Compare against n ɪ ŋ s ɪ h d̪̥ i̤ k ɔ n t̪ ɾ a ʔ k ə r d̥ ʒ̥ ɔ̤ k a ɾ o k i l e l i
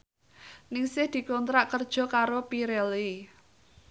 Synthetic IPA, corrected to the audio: n ɪ ŋ s ɪ h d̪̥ i̤ k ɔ n t̪ ɾ a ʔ k ə r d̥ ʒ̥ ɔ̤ k a ɾ o p i ɾ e l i